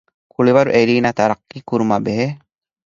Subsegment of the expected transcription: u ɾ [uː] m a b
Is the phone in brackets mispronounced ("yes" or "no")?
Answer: yes